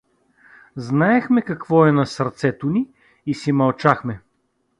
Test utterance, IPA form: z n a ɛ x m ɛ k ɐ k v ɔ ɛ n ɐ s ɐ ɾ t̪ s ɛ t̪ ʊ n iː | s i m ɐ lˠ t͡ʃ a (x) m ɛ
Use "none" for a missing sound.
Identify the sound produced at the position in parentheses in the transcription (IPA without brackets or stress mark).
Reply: x